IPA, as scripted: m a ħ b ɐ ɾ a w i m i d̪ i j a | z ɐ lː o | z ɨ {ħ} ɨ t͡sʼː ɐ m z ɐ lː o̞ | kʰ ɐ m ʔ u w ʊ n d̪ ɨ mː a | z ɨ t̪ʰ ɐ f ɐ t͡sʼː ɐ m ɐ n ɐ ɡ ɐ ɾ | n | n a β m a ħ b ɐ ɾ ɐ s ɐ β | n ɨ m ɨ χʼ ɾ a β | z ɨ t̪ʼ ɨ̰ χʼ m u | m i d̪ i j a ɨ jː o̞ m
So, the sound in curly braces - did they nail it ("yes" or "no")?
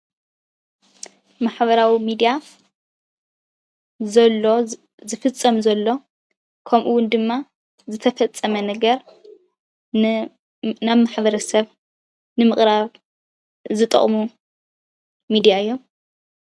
no